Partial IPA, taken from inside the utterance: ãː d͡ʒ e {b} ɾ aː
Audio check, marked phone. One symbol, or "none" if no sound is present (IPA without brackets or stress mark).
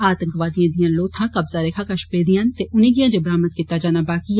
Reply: b